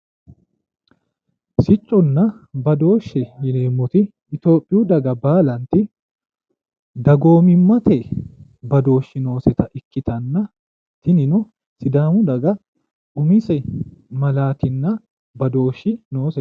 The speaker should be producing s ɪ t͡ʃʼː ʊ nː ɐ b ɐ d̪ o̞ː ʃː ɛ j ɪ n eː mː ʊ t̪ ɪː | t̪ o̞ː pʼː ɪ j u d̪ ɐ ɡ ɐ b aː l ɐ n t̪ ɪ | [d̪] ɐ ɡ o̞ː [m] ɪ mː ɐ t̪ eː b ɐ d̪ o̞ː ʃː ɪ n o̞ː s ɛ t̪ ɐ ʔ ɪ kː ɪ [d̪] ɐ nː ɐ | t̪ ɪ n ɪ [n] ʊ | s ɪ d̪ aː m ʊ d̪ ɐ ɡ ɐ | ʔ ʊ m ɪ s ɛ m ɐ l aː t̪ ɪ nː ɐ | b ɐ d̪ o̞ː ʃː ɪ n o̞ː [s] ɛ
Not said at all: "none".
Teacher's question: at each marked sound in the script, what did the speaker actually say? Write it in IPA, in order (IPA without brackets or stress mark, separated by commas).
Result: d̪, m, t̪, n, s